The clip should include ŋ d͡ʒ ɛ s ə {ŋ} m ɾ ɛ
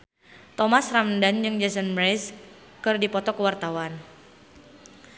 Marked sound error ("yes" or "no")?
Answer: yes